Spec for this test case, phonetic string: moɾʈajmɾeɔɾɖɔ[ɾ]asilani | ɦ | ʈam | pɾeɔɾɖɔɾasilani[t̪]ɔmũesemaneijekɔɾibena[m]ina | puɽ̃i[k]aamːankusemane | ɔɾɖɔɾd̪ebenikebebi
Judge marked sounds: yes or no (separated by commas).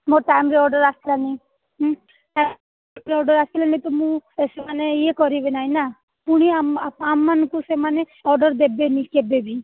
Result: yes, yes, no, no